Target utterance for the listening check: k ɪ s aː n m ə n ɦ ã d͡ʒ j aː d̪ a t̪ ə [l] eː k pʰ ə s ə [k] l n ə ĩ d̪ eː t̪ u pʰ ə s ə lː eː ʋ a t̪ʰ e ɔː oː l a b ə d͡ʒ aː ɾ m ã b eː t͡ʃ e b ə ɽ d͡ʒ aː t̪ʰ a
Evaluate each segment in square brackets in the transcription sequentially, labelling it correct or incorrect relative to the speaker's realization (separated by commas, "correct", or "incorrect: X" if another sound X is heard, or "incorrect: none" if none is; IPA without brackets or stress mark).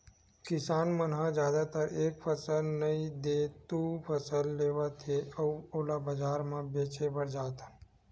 incorrect: ɾ, incorrect: none